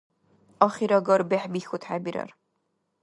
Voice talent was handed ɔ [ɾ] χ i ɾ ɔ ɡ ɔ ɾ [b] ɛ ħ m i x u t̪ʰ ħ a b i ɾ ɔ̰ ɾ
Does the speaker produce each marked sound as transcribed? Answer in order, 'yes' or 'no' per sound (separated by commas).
no, yes